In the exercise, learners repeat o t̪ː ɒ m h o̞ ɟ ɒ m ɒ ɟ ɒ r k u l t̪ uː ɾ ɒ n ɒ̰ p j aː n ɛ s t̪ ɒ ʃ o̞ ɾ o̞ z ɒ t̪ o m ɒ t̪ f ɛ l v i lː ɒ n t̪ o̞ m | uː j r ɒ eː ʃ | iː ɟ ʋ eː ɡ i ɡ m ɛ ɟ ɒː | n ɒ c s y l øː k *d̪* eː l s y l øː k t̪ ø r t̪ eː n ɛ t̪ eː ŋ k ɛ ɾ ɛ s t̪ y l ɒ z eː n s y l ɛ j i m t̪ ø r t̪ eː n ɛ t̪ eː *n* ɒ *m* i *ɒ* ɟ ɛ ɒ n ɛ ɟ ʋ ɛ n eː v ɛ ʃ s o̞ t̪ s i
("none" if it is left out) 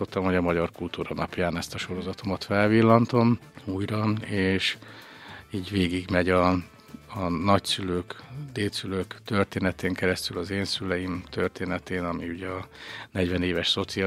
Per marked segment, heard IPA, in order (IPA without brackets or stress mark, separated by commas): d̪, n, m, u